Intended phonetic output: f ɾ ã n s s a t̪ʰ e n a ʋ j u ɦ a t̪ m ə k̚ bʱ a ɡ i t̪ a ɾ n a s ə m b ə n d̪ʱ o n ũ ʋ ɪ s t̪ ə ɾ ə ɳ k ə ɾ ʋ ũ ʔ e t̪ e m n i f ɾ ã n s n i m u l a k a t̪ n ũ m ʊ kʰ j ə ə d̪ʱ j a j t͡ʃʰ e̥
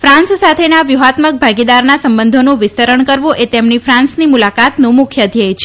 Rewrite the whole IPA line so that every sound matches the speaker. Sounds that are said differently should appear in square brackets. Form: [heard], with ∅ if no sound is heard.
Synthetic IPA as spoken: f ɾ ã n s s a t̪ʰ e n a ʋ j u ɦ a t̪ m ə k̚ bʱ a ɡ i [d̪] a ɾ n a s ə m b ə n d̪ʱ o n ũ ʋ ɪ s t̪ ə ɾ ə ɳ k ə ɾ ʋ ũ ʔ e t̪ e m n i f ɾ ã n s n i m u l a k a t̪ n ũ m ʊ kʰ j ə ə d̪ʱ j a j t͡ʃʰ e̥